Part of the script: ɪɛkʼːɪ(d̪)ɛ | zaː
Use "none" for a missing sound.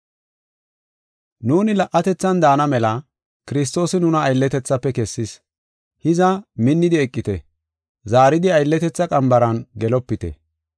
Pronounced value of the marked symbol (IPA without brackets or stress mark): t̪